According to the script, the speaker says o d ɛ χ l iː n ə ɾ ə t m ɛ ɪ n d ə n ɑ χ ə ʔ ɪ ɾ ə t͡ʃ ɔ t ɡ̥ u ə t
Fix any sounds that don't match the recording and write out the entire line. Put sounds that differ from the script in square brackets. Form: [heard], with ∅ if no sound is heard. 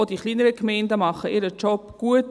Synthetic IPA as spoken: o d [i] χ l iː n ə ɾ ə [k] m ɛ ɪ n d ə [m] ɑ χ ə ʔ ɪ ɾ ə t͡ʃ ɔ [p] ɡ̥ u ə t